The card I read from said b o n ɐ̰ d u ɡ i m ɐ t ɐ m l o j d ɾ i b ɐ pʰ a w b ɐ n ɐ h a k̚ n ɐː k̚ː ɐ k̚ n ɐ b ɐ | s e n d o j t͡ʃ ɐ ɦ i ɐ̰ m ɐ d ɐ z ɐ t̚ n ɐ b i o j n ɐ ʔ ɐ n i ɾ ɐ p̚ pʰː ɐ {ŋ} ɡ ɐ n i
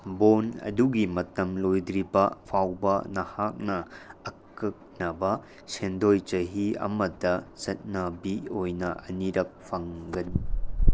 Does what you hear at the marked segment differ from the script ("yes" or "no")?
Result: no